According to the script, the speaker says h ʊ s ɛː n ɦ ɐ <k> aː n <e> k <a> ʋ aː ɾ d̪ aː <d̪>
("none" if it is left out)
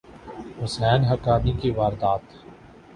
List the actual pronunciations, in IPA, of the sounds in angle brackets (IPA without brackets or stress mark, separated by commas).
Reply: k, i, i, t̪